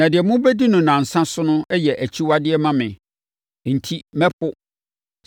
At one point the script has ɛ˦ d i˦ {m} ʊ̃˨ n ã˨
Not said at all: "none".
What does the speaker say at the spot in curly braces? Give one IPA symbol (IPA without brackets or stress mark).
n